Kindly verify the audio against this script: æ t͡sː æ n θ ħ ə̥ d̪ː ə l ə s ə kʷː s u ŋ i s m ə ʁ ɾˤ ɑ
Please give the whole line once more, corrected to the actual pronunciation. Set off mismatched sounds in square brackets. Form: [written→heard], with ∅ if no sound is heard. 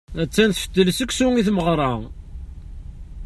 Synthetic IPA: æ t͡sː æ n θ [ħ→f] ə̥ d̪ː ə l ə s ə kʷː s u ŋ i [s→θ] m ə ʁ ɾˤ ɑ